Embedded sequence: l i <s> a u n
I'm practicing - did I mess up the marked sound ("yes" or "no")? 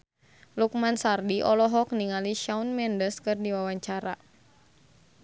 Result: yes